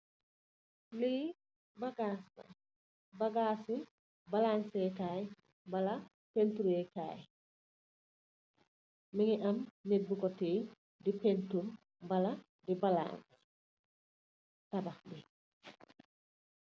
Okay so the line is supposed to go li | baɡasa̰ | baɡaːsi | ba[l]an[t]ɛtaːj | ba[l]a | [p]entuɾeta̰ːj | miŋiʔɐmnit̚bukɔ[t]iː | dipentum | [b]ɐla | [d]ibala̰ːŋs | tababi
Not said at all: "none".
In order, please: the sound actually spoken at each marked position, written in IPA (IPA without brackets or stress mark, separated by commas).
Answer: l, s, l, p, t, b, d